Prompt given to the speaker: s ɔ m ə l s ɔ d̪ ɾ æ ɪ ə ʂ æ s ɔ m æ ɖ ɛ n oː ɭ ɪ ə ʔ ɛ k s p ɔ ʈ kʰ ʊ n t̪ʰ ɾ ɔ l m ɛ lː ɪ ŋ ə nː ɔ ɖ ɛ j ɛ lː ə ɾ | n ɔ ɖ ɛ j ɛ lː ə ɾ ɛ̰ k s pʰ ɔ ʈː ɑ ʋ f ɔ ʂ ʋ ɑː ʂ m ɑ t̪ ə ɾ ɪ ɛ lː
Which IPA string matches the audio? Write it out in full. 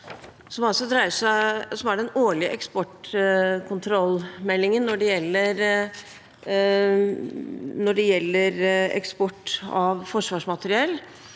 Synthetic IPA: s ɔ m ɑ l s ɔ d̪ ɾ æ ɪ ə ʂ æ s ɔ m æ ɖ ɛ n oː ɭ ɪ ə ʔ ɛ k s p ɔ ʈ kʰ ʊ n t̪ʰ ɾ ɔ l m ɛ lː ɪ ŋ ə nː ɔ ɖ ɛ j ɛ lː ə ɾ | n ɔ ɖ ɛ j ɛ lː ə ɾ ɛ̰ k s p ɔ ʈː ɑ ʋ f ɔ ʂ ʋ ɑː ʂ m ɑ t̪ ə ɾ ɪ ɛ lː